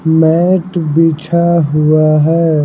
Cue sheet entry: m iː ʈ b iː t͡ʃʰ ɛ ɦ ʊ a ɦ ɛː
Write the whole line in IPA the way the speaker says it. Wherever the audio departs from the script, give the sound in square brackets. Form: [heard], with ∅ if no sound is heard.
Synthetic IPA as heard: m [ɛː] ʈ b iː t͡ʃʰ [a] ɦ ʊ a ɦ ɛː